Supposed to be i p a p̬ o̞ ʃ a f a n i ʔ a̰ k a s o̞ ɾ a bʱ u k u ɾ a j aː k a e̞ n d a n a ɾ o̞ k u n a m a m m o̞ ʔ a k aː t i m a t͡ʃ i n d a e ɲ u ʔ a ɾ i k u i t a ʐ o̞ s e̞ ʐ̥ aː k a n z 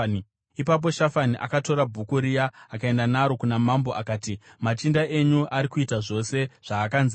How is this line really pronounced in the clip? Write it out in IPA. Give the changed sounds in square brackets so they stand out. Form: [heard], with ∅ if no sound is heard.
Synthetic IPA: i p a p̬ o̞ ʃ a f a n i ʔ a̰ k a [t] o̞ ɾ a bʱ u k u ɾ [i] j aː k a e̞ n d a n a ɾ o̞ k u n a m a m [b] o̞ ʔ a k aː t i m a t͡ʃ i n d a e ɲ u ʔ a ɾ i k u i t a ʐ o̞ s e̞ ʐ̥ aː k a n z